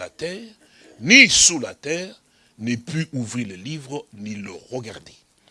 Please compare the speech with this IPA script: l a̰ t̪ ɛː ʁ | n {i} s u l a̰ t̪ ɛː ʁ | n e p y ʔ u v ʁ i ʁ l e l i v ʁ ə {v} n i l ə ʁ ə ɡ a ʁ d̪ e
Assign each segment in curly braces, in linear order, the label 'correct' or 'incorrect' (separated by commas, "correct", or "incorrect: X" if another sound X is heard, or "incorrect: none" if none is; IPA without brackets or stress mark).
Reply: correct, incorrect: none